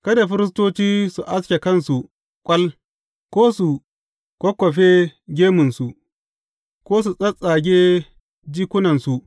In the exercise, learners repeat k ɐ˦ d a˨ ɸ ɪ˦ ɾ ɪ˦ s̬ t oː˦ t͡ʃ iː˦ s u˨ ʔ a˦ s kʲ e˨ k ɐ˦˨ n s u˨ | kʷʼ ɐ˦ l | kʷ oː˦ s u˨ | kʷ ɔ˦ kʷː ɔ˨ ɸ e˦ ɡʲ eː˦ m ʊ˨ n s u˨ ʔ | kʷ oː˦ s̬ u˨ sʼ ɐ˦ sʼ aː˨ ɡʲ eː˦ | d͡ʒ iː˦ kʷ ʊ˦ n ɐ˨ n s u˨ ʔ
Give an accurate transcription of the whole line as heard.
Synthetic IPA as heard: k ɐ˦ d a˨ ɸ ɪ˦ ɾ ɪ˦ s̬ t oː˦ t͡ʃ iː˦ s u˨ ʔ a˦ s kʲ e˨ k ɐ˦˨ n s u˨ | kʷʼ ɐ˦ l | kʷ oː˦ s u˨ | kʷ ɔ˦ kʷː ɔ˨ ɸ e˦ ɡʲ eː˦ m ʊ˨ n s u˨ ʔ | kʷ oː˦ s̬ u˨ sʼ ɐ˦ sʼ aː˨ ɡʲ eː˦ | d͡ʒ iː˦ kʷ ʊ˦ n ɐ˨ n s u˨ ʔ

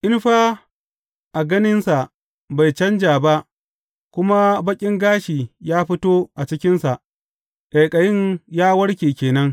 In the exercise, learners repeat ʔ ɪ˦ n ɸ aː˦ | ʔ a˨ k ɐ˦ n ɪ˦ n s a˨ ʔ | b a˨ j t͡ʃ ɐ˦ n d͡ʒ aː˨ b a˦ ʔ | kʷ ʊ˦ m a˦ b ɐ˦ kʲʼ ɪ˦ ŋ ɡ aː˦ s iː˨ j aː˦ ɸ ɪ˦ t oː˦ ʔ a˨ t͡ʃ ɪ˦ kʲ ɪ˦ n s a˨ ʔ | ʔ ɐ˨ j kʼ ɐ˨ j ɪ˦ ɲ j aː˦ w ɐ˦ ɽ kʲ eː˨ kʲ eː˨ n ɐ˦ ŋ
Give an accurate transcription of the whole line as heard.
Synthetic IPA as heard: ʔ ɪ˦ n ɸ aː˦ | ʔ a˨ ɡ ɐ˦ n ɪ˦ n s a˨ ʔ | b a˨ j t͡ʃ ɐ˦ n d͡ʒ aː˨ b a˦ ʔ | kʷ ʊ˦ m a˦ b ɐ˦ kʲʼ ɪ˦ ŋ ɡ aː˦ ʃ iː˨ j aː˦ ɸ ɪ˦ t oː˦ ʔ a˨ t͡ʃ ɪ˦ kʲ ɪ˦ n s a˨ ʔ | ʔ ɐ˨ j kʼ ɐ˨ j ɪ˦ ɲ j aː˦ w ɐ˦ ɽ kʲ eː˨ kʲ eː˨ n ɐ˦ ŋ

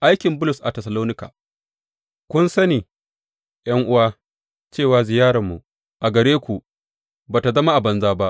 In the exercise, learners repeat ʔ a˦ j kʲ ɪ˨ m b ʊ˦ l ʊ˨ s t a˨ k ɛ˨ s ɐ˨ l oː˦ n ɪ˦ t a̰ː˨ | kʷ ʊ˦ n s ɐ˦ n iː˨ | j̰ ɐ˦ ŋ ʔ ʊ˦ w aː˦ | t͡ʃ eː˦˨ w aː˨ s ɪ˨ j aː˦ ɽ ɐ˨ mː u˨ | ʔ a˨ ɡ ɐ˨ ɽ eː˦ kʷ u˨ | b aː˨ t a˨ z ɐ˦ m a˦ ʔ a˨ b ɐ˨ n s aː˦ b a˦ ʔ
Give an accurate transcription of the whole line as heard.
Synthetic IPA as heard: ʔ a˦ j kʲ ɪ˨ m b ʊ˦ l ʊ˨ s ʔ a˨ t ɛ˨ s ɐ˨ l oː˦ n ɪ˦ k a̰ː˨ | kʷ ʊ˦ n s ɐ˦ n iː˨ | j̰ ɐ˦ ŋ ʔ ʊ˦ w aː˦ | t͡ʃ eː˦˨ w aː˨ z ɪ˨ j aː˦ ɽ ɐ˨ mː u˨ | ʔ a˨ ɡ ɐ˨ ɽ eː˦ kʷ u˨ | b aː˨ t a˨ z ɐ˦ m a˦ ʔ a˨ b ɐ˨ n z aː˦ b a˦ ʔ

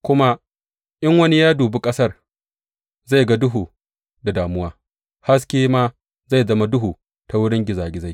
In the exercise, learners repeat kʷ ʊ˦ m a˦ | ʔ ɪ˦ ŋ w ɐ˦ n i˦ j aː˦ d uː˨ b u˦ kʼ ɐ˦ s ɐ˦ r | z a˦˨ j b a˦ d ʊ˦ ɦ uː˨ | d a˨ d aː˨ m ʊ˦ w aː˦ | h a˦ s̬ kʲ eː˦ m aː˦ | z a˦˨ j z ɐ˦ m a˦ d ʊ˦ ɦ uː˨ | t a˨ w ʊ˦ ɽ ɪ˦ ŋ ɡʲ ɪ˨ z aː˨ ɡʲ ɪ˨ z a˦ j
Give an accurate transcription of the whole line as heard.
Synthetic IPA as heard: kʷ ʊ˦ m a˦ | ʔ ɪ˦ ŋ w ɐ˦ n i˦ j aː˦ d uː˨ b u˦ kʼ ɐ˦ s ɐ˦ r | z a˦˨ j ɡ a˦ d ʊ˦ ɦ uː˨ | d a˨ d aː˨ m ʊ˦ w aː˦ | h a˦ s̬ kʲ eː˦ m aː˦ | z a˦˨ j z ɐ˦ m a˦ d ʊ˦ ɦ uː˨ | t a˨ w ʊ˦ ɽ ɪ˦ ŋ ɡʲ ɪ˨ z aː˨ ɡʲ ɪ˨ z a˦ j

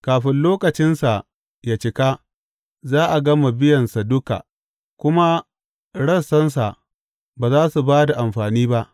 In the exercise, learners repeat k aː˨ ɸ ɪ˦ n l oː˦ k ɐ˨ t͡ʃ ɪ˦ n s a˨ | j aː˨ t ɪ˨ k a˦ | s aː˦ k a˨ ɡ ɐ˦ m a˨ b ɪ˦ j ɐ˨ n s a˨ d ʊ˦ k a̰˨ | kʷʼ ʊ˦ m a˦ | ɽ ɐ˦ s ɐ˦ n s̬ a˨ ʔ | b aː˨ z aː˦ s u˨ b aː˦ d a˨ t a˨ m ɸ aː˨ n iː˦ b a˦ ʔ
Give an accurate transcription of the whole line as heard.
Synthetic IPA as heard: k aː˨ ɸ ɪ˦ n l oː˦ k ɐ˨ t͡ʃ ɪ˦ n s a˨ | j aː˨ t͡ʃ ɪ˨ k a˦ | z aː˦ ʔ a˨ ɡ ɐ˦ m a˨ b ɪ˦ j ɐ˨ n s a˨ d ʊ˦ k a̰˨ | kʷ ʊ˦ m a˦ | ɽ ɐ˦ s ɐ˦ n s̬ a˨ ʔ | b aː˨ z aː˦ s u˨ b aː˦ d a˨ ʔ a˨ m ɸ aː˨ n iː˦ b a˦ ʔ

